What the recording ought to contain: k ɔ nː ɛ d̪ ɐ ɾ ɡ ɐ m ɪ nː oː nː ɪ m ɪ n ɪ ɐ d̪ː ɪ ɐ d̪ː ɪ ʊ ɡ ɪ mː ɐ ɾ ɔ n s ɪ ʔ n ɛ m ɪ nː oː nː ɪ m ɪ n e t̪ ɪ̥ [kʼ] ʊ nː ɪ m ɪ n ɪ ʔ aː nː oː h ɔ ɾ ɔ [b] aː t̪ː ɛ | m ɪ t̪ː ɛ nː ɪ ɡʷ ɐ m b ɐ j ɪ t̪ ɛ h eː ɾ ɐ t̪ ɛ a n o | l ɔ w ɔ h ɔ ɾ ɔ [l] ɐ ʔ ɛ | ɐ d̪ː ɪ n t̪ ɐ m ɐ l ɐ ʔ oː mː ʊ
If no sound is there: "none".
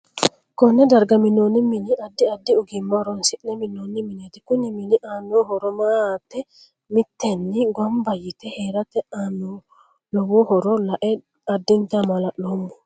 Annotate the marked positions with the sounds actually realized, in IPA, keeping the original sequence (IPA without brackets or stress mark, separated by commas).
k, m, l